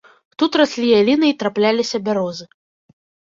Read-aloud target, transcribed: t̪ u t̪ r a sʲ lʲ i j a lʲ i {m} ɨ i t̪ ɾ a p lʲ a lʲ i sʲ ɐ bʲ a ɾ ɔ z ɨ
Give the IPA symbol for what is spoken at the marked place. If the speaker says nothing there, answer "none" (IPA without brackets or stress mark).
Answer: n